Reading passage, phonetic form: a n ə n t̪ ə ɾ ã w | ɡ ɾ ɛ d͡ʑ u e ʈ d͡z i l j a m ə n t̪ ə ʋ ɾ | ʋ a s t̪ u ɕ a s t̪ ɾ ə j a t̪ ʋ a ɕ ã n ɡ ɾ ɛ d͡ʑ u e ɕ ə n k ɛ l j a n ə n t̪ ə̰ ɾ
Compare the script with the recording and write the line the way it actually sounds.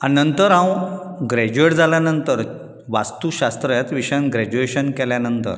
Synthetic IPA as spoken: a n ə n t̪ ə ɾ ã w | ɡ ɾ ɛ d͡ʑ u e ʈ d͡z a l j a n ə n t̪ ə ɾ | ʋ a s t̪ u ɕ a s t̪ ɾ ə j a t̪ ʋ i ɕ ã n ɡ ɾ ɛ d͡ʑ u e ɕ ə n k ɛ l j a n ə n t̪ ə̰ ɾ